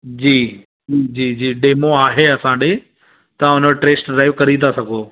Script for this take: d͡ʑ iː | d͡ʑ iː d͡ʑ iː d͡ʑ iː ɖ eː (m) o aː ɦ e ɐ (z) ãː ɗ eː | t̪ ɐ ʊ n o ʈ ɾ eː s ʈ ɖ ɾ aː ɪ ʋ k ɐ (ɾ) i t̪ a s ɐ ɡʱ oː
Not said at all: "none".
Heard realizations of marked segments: m, s, ɾ

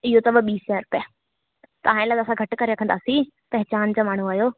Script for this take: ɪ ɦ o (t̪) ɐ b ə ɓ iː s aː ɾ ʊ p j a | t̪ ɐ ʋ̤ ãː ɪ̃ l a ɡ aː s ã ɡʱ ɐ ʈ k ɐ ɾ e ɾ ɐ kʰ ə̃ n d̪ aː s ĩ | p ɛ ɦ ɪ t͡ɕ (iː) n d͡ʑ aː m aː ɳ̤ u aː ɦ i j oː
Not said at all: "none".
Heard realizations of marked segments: t̪, aː

